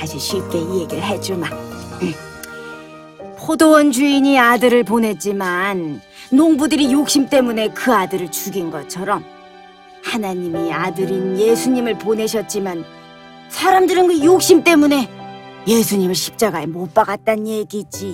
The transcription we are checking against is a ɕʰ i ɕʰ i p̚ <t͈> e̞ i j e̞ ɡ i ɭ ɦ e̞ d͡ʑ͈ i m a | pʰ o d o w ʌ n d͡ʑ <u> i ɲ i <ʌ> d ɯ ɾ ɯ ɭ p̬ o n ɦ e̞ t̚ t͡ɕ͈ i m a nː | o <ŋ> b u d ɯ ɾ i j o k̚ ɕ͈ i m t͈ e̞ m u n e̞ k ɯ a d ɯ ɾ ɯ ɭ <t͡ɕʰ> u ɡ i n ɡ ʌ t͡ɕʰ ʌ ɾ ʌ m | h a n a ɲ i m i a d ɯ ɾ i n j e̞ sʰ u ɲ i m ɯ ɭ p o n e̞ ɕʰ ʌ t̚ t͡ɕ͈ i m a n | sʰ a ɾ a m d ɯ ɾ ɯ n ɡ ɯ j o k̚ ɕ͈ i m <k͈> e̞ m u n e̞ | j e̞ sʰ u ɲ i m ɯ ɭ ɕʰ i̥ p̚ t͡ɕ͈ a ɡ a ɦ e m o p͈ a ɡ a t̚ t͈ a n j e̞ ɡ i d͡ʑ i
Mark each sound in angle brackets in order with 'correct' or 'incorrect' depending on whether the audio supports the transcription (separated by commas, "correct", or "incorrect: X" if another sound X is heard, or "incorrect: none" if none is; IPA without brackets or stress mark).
incorrect: k͈, correct, incorrect: a, correct, incorrect: t͡ɕ, incorrect: t͈